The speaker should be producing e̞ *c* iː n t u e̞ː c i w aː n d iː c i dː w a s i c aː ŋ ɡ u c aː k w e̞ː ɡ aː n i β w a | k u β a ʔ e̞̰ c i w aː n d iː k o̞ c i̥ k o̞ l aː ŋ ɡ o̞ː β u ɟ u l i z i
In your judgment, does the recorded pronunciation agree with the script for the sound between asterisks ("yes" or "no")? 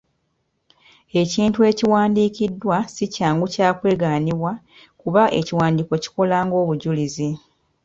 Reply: yes